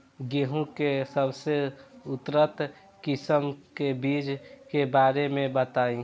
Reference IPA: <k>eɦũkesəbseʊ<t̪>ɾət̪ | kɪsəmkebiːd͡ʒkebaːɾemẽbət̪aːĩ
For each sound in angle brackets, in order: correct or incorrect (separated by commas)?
incorrect, correct